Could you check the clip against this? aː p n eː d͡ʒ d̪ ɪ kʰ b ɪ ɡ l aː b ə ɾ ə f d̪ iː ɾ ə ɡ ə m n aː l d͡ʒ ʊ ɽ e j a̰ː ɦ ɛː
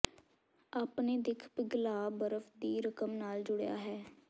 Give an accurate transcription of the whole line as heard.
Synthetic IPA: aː p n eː d̪ ɪ kʰ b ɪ ɡ l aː b ə ɾ ə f d̪ iː ɾ ə k ə m n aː l d͡ʒ ʊ ɽ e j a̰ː ɦ ɛː